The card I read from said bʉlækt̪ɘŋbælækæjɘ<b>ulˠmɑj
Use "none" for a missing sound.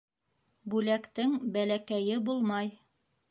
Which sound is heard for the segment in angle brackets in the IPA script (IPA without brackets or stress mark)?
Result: b